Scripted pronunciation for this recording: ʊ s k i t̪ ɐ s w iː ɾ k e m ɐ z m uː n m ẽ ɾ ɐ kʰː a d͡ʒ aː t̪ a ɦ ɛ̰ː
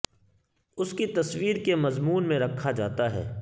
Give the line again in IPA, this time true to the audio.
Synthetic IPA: ʊ s k i t̪ ɐ s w iː ɾ k e m ɐ z m uː n m ẽ ɾ ɐ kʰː a d͡ʒ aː t̪ a ɦ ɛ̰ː